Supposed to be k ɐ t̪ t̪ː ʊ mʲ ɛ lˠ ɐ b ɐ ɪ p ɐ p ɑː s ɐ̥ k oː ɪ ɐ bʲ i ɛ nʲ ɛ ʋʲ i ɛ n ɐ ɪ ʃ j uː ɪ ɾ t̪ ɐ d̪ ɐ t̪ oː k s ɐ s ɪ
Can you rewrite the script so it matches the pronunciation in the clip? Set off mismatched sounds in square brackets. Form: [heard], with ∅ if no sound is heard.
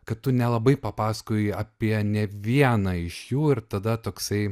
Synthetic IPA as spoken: k ɐ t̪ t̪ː ʊ [nʲ] ɛ lˠ ɐ b ɐ ɪ p ɐ p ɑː s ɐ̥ k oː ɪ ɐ [pʲ] i ɛ nʲ ɛ ʋʲ i ɛ n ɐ ɪ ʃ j uː ɪ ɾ t̪ ɐ d̪ ɐ t̪ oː k s ɐ [∅] ɪ